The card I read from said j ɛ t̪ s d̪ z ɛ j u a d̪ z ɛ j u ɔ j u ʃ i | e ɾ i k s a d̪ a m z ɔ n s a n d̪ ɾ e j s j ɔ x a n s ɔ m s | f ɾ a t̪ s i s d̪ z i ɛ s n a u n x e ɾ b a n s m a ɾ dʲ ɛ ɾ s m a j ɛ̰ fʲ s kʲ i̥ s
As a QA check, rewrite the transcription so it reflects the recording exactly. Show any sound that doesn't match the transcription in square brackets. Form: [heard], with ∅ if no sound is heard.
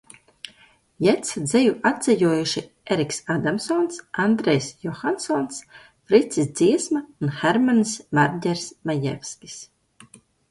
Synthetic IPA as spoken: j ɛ t̪ s d̪ z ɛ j u a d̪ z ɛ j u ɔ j u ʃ i | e ɾ i k s a d̪ a m [s] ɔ n s a n d̪ ɾ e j s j ɔ x a n s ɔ [n] s | f ɾ [i] t̪ s i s d̪ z i ɛ s [m] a u n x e ɾ [m] a n s m a ɾ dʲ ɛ ɾ s m a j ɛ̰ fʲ s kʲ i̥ s